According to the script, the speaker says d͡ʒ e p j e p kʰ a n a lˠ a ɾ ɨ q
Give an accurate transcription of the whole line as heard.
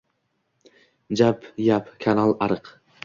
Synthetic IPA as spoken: d͡ʒ a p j a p kʰ a n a lˠ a ɾ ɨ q

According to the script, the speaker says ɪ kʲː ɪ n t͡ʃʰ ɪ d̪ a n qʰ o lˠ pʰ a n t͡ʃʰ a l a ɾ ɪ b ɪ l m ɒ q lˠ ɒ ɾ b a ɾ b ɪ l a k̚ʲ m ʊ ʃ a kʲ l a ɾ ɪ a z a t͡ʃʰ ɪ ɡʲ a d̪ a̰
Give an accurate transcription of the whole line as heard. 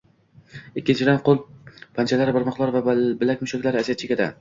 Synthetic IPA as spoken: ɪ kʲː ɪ n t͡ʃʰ ɪ d̪ a n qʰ o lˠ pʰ a n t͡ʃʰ a l a ɾ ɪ b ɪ ɾ m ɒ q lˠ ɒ ɾ v a b ɪ l a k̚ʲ m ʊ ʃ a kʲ l a ɾ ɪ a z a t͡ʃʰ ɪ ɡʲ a d̪ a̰

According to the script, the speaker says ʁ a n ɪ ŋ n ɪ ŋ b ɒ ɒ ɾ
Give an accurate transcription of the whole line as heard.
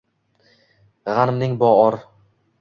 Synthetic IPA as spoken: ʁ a n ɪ m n ɪ ŋ b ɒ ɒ ɾ

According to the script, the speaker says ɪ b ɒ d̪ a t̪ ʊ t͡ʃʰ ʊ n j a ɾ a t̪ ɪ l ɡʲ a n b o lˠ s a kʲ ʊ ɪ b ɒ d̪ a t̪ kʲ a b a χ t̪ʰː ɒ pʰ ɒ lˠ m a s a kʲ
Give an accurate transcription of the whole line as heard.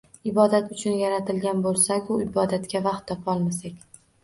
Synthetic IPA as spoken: ɪ b ɒ d̪ a t̪ ʊ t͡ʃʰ ʊ n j a ɾ a t̪ ɪ l ɡʲ a n b o lˠ s a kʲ ʊ ɪ b ɒ d̪ a t̪ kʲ a v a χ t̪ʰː ɒ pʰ ɒ lˠ m a s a kʲ

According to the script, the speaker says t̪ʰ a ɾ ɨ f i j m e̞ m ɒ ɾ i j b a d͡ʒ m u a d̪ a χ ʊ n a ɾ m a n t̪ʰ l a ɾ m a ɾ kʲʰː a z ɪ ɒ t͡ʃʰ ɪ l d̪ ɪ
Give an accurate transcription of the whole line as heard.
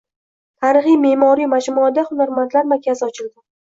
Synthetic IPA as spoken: t̪ʰ a ɾ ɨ χ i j m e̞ m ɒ ɾ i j m a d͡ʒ m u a d̪ a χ ʊ n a ɾ m a n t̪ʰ l a ɾ m a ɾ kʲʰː a z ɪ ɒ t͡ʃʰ ɪ l d̪ ɪ

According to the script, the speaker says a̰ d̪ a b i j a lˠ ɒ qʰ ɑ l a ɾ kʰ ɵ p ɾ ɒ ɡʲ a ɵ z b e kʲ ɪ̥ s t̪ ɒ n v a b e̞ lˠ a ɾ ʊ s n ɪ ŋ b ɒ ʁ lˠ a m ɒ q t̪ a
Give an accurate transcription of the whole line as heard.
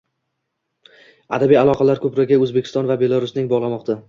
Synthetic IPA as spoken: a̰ d̪ a b i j a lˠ ɒ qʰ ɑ l a ɾ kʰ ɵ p ɾ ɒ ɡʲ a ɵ z b e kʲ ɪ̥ s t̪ ɒ n v a b e̞ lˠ a ɾ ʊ s n ɪ ŋ b ɒ ʁ lˠ a m ɒ q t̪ a

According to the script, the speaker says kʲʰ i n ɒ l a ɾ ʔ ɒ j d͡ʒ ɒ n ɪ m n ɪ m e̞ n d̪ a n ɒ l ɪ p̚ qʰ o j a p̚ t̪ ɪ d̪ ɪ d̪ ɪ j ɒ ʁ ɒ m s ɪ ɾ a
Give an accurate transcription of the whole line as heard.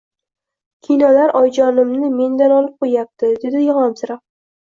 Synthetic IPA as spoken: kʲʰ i n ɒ l a ɾ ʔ ɒ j d͡ʒ ɒ n ɪ m n ɪ m e̞ n d̪ a n ɒ l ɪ p̚ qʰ o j a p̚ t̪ ɪ d̪ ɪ d̪ ɪ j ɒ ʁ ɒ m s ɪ ɾ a

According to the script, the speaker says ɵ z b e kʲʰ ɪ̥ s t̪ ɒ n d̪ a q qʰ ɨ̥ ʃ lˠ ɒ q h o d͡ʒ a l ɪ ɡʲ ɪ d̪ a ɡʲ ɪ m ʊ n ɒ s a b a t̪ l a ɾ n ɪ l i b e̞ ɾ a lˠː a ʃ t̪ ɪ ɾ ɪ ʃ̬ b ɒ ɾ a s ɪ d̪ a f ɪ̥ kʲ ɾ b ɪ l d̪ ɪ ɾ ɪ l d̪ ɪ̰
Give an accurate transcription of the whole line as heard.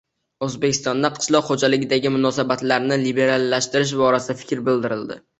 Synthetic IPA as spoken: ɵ z b e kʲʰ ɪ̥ s t̪ ɒ n d̪ a q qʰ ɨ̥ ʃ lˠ ɒ q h o d͡ʒ a l ɪ ɡʲ ɪ d̪ a ɡʲ ɪ m ʊ n ɒ s a b a t̪ l a ɾ n ɪ l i b e̞ ɾ a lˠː a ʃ t̪ ɪ ɾ ɪ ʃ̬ b ɒ ɾ a s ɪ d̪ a f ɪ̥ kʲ ɾ b ɪ l d̪ ɪ ɾ ɪ l d̪ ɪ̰

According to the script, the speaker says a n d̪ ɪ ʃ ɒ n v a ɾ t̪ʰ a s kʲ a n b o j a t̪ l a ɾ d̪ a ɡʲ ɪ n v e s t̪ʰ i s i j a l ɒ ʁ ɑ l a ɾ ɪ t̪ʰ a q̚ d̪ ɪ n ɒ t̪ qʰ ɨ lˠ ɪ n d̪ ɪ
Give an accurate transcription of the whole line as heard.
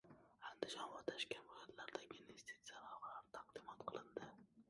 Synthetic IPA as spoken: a n d̪ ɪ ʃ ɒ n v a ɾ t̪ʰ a ʃ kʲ a n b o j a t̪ l a ɾ d̪ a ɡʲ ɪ n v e s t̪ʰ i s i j a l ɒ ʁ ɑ l a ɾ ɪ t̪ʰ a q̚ d̪ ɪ m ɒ t̪ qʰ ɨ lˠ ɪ n d̪ ɪ

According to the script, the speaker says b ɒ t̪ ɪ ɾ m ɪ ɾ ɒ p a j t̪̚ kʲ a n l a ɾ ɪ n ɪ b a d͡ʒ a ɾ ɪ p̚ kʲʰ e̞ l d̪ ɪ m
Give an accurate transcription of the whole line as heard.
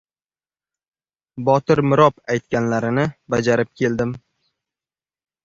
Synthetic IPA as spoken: b ɒ t̪ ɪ ɾ m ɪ ɾ ɒ p a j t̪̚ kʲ a n l a ɾ ɪ n ɪ b a d͡ʒ a ɾ ɪ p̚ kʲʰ e̞ l d̪ ɪ m

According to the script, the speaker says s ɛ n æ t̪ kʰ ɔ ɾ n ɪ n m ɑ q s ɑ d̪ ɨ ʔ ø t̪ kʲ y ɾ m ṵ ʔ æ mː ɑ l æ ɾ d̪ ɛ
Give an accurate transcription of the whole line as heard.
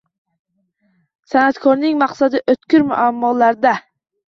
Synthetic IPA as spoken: s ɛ n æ t̪ kʰ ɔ ɾ n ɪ ŋ m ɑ q s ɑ d̪ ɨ ʔ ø t̪ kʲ y ɾ m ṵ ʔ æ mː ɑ l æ ɾ d̪ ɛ

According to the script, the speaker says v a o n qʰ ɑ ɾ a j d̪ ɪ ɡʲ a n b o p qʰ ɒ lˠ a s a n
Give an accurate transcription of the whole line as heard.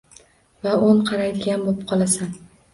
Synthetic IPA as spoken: v a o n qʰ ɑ ɾ a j d̪ ɪ ɡʲ a n b o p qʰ ɒ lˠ a s a n

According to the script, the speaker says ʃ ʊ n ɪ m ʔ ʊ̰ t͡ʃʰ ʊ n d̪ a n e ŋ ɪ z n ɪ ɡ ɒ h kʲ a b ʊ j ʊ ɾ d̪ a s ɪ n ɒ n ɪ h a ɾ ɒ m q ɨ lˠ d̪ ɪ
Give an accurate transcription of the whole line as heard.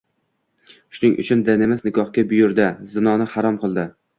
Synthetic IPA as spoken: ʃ ʊ n ɪ ŋ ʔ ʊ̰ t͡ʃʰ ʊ n d̪ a n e m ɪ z n ɪ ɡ ɒ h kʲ a b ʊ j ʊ ɾ d̪ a z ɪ n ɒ n ɪ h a ɾ ɒ m q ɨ lˠ d̪ ɪ

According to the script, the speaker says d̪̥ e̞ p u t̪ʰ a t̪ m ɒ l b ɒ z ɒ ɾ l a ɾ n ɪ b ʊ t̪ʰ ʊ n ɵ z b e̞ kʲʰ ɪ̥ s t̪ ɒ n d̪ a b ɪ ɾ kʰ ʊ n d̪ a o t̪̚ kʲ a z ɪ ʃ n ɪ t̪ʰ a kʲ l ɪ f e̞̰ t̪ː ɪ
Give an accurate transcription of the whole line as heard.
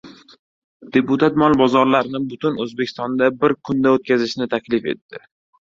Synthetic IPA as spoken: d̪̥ e̞ p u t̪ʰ a t̪ m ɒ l b ɒ z ɒ ɾ l a ɾ n ɪ b ʊ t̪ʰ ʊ n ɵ z b e̞ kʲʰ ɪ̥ s t̪ ɒ n d̪ a b ɪ ɾ kʰ ʊ n d̪ a o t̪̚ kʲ a z ɪ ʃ n ɪ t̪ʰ a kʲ l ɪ f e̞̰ t̪ː ɪ

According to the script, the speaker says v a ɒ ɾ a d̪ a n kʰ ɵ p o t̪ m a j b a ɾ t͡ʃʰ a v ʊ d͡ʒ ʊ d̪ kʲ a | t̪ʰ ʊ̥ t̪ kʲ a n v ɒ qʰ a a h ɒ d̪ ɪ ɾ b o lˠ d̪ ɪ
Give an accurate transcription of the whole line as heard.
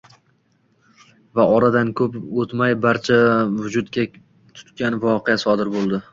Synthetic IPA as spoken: v a ɒ ɾ a d̪ a n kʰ ɵ p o t̪ m a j b a ɾ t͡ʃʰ a v ʊ d͡ʒ ʊ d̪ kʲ a | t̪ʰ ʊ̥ t̪ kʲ a n v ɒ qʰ e a s ɒ d̪ ɪ ɾ b o lˠ d̪ ɪ

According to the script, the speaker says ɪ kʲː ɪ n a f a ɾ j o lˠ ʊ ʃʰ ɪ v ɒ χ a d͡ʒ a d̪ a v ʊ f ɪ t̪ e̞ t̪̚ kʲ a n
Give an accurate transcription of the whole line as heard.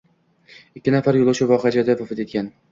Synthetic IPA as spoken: ɪ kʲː ɪ n a f a ɾ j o lˠ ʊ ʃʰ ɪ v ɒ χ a d͡ʒ a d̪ a v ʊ f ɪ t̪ e̞ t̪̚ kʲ a n

